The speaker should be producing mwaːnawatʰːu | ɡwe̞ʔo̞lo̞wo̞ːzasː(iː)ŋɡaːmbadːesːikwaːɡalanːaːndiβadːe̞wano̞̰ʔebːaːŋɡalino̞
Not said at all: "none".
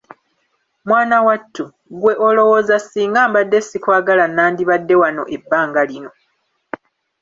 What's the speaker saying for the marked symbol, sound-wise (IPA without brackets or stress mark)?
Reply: iː